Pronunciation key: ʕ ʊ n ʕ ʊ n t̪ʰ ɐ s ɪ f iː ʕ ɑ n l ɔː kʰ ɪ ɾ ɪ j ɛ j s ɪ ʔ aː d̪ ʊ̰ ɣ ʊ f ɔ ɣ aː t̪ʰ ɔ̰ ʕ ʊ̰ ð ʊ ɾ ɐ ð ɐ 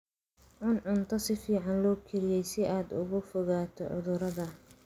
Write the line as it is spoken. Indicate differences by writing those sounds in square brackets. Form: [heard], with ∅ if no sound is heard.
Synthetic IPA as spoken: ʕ ʊ n ʕ ʊ n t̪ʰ ɐ s ɪ f iː ʕ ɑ n l ɔː kʰ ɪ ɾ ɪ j ɛ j s ɪ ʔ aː d̪ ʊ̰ ɣ ʊ f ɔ ɣ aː t̪ʰ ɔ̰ ʕ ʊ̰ ð ʊ ɾ ɐ ð ɐ